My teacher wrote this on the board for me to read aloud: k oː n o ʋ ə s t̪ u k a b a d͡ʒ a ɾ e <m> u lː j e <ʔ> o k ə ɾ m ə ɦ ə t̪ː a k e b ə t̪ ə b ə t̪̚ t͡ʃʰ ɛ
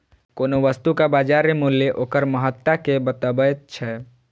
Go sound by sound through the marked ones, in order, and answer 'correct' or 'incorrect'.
correct, correct

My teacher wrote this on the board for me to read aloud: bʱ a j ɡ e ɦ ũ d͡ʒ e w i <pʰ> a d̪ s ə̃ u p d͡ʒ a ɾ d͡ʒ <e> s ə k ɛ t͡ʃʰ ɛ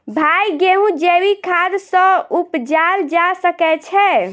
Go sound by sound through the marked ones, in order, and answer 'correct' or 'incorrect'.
incorrect, incorrect

